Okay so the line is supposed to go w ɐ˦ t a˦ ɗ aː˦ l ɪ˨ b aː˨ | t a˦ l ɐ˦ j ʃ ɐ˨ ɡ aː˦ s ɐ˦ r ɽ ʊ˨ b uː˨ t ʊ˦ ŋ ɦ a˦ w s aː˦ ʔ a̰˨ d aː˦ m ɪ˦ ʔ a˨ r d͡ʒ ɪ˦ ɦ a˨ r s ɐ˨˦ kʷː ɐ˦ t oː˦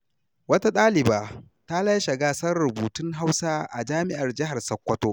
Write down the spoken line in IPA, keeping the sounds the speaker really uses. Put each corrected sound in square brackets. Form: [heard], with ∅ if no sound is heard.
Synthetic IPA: w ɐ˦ t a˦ ɗ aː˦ l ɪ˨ b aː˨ | t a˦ l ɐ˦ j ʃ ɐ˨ ɡ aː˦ s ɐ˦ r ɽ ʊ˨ b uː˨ t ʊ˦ ŋ ɦ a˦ w s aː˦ ʔ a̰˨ [d͡ʒ] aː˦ m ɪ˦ ʔ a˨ r d͡ʒ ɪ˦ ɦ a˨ r s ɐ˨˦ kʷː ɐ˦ t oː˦

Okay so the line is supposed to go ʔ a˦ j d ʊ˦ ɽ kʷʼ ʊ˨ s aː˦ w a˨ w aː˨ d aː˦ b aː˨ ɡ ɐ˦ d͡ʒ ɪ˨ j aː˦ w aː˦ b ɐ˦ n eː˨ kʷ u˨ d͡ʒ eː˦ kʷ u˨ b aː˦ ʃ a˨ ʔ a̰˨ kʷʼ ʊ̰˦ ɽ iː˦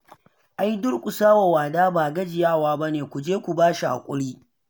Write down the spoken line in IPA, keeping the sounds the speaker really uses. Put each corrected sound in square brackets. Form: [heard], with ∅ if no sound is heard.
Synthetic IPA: ʔ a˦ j d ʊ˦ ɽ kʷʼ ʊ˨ s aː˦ w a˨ w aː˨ d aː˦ b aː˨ ɡ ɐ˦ d͡ʒ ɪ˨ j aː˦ w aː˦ b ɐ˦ n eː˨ kʷ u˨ d͡ʒ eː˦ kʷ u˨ b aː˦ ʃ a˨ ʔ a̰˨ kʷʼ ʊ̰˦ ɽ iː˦

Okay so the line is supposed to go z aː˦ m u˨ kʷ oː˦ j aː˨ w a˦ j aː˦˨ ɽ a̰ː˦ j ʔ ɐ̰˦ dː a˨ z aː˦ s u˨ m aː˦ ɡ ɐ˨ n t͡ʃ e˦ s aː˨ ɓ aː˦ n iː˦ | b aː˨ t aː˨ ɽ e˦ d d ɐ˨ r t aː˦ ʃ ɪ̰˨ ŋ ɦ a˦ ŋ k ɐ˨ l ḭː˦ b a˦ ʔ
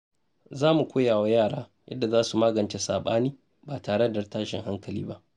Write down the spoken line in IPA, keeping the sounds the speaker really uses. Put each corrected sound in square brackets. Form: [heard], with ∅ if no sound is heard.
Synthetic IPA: z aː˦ m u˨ kʷ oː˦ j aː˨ w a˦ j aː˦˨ ɽ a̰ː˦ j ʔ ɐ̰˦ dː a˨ z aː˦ s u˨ m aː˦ ɡ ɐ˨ n t͡ʃ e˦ s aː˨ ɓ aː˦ n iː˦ | b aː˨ t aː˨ ɽ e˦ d d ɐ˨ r t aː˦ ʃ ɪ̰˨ ŋ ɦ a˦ ŋ k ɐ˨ l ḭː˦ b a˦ ʔ

